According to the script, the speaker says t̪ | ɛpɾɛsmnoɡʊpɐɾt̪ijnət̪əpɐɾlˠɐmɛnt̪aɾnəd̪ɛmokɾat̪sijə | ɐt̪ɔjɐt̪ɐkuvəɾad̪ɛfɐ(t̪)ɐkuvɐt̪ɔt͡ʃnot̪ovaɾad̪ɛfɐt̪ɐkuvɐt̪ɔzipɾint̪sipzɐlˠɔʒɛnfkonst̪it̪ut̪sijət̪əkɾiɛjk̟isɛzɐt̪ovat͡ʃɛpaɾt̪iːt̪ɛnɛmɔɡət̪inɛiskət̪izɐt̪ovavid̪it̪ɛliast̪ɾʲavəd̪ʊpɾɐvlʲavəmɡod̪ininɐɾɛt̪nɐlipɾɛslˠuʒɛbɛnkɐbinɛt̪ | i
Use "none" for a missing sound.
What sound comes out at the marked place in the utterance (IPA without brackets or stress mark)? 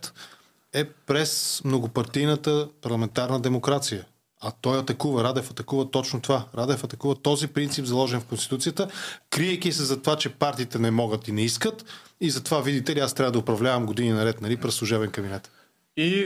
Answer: t̪